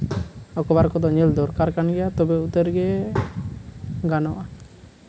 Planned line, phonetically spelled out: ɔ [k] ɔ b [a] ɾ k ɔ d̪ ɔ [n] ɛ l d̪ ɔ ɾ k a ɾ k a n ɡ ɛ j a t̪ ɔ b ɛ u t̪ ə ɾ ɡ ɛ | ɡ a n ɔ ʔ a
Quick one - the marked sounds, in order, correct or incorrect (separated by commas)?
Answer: correct, correct, incorrect